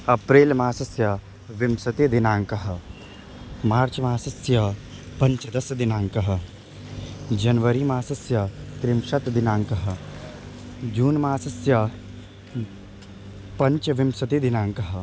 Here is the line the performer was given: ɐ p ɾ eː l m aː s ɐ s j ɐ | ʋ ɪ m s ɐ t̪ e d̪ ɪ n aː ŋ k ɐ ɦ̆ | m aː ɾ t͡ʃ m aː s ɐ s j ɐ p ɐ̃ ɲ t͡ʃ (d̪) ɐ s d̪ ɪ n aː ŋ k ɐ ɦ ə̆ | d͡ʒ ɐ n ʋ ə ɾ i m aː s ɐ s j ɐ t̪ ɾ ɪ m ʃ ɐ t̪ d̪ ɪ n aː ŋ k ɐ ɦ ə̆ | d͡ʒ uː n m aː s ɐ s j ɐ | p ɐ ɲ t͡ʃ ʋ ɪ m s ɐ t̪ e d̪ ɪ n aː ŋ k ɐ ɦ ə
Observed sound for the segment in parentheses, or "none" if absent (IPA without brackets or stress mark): d̪